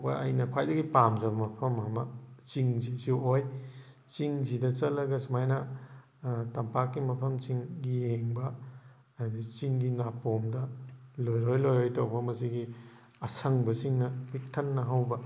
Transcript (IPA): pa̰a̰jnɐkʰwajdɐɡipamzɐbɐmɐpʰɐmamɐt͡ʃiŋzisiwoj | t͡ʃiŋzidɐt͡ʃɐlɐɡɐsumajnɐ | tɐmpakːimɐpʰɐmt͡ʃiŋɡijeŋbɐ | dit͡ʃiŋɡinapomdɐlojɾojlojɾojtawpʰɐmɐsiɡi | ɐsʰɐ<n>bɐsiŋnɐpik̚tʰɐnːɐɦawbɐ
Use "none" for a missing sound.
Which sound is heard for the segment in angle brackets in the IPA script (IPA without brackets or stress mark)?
ŋ